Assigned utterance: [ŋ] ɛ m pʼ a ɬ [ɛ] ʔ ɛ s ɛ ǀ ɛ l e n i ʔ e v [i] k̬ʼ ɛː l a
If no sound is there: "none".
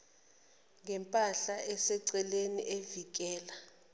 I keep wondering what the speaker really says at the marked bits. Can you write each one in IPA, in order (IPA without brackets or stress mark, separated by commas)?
ŋ, a, i